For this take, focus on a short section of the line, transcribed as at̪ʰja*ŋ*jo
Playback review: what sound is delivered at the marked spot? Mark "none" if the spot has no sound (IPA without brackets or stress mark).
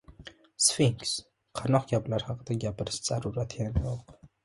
n